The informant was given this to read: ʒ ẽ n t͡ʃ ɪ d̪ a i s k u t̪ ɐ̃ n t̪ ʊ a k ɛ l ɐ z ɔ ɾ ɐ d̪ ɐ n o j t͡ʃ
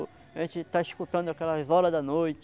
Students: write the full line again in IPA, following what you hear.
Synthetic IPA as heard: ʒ ẽ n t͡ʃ ɪ t̪ a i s k u t̪ ɐ̃ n d̪ ʊ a k ɛ l ɐ z ɔ ɾ ɐ d̪ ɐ n o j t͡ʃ